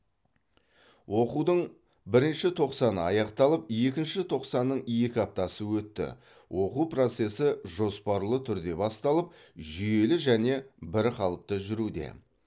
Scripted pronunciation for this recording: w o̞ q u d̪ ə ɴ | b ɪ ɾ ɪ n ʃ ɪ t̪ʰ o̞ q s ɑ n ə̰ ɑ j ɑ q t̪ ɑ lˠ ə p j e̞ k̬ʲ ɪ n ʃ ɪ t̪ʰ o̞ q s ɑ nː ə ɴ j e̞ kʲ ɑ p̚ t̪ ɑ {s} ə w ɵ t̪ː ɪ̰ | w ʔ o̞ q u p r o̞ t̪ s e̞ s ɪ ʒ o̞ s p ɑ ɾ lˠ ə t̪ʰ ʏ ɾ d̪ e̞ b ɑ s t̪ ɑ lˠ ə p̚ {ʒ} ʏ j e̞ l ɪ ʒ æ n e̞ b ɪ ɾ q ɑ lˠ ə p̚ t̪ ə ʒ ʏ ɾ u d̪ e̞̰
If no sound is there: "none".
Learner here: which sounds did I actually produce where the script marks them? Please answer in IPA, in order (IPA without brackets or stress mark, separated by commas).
s, ʒ